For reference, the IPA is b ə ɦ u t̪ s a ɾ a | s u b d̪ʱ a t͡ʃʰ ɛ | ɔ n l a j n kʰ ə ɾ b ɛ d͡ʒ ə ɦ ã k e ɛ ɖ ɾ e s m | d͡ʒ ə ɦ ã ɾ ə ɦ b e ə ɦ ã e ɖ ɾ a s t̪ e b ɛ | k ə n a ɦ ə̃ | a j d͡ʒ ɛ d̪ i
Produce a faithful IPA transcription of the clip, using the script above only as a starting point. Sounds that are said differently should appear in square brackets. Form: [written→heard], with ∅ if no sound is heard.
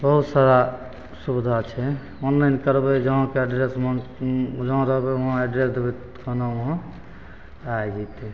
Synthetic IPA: b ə ɦ u t̪ s a ɾ a | s u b d̪ʱ a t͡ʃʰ ɛ | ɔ n l a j n [kʰ→k] ə ɾ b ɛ d͡ʒ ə ɦ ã k e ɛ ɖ ɾ e s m | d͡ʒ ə ɦ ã ɾ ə ɦ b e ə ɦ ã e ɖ ɾ [a→e] s [t̪→d̪] e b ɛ | k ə n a ɦ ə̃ | a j d͡ʒ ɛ [d̪→t̪] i